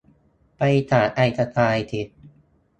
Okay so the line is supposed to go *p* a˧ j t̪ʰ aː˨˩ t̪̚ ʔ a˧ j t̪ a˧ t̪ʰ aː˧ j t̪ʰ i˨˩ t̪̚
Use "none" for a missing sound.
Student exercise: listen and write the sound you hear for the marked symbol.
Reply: p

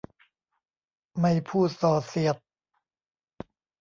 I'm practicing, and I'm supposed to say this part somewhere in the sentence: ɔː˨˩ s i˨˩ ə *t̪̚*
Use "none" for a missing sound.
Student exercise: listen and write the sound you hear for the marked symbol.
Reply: t̪̚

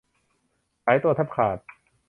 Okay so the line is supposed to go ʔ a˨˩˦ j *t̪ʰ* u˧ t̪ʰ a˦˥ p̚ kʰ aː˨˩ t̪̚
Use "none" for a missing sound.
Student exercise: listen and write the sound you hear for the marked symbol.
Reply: t̪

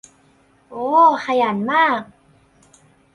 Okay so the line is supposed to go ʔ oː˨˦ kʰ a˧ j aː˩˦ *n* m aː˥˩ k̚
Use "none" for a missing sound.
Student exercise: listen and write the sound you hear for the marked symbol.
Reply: n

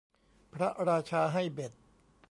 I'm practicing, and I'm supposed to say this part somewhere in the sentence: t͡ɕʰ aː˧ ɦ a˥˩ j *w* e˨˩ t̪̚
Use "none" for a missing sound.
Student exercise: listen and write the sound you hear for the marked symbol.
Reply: b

